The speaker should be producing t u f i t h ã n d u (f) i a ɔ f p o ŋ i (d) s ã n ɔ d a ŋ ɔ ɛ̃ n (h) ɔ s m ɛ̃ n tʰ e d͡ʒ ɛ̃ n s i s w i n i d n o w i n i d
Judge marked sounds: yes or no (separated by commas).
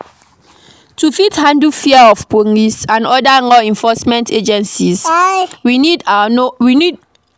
yes, no, no